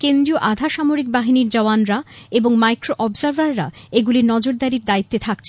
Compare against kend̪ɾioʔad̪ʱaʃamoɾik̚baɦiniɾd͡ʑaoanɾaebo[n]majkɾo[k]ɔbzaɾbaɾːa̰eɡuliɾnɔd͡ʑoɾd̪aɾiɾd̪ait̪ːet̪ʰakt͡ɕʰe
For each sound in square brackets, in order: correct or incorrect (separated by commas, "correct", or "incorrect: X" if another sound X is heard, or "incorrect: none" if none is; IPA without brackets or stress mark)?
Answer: incorrect: ŋ, incorrect: ʔ